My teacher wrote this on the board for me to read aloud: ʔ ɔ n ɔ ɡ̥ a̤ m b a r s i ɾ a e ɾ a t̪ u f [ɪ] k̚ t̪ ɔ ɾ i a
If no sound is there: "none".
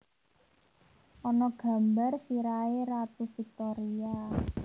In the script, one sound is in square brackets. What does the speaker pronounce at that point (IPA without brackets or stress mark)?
i